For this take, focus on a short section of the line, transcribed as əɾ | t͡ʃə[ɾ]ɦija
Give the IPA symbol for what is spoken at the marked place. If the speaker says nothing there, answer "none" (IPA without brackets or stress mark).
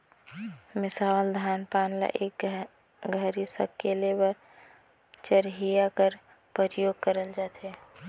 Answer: ɾ